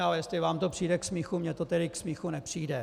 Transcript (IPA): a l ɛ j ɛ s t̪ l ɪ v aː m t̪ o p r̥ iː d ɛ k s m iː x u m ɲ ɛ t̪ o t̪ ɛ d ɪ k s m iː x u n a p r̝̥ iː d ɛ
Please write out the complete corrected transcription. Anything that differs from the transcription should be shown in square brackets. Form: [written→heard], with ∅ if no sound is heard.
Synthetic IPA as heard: a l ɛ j ɛ s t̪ l ɪ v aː m t̪ o p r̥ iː d ɛ k s m iː x u m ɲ ɛ t̪ o t̪ ɛ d ɪ k s m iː x u n [a→ɛ] p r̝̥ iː d ɛ